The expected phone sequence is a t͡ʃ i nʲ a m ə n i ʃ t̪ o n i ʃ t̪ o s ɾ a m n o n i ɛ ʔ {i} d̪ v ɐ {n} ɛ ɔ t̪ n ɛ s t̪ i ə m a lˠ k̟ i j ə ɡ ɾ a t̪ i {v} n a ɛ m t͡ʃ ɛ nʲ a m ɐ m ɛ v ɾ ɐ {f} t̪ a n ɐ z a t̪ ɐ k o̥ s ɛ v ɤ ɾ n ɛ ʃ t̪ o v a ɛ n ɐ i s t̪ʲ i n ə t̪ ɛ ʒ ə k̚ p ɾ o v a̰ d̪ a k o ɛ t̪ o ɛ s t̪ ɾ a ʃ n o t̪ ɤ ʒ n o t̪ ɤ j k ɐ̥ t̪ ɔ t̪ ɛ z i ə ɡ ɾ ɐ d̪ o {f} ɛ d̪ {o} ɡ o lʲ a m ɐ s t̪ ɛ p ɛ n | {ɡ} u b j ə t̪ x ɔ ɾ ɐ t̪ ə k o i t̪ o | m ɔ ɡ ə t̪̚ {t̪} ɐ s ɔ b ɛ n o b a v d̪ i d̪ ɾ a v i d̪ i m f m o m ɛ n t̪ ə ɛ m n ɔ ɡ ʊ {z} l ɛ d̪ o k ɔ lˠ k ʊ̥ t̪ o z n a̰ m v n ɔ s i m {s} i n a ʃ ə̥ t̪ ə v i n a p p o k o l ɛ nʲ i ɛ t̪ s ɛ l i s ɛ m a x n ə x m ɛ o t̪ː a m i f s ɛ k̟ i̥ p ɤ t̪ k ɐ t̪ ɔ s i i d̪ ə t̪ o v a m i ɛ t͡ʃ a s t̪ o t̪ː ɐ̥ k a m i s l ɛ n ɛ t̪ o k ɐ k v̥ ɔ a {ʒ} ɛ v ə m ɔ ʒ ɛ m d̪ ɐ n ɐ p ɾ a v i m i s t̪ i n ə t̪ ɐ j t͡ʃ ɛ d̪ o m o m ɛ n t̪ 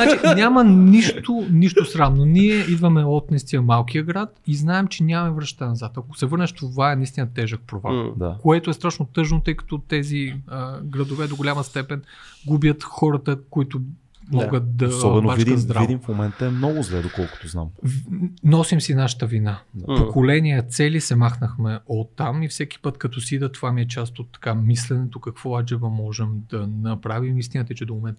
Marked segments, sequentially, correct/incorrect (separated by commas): correct, incorrect, incorrect, incorrect, incorrect, correct, correct, incorrect, correct, correct, incorrect